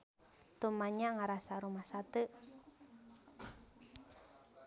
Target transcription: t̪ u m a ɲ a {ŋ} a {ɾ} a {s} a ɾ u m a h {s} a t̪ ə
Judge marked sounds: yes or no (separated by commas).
yes, yes, yes, yes